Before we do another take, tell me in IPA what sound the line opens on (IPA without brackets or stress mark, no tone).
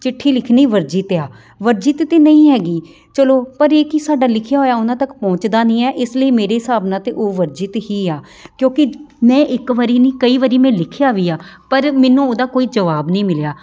t͡ʃ